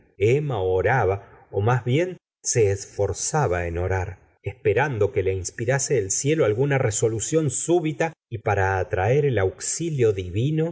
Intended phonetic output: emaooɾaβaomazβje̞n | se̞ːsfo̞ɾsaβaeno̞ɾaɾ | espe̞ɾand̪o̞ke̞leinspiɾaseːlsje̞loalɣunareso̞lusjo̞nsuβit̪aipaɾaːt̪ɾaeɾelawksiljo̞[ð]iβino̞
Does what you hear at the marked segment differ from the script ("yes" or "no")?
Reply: no